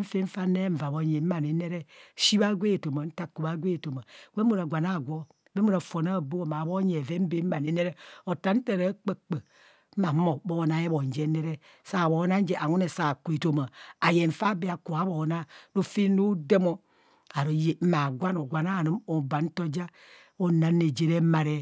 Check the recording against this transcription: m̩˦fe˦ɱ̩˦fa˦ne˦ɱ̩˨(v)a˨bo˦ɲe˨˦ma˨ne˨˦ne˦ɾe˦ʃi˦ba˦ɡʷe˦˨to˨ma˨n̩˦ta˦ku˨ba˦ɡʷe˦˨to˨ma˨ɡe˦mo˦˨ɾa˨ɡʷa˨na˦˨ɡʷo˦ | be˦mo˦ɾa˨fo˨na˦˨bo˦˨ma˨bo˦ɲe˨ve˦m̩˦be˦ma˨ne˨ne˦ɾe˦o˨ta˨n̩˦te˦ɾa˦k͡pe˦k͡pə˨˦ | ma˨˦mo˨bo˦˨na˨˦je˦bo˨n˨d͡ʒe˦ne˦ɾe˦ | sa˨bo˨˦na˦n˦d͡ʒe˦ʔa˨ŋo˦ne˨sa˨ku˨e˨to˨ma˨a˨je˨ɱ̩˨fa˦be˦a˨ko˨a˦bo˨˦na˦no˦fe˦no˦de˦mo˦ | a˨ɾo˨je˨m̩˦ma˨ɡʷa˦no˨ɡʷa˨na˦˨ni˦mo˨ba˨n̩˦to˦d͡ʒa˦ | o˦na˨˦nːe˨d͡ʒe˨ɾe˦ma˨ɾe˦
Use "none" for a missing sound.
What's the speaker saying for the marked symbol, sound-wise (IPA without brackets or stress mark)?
v